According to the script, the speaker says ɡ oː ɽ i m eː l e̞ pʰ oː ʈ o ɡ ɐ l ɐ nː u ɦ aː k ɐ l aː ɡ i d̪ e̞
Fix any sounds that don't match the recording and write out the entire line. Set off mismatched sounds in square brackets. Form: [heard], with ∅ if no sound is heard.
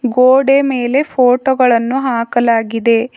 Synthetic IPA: ɡ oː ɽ [e] m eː l e̞ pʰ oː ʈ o ɡ ɐ [ɭ] ɐ nː u ɦ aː k ɐ l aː ɡ i d̪ e̞